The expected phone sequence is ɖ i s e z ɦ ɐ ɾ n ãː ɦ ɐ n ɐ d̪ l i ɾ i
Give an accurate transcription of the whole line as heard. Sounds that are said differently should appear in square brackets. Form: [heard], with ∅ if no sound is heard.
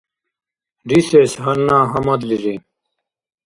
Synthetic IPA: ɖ i s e [s] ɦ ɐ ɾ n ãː ɦ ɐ [m] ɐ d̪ l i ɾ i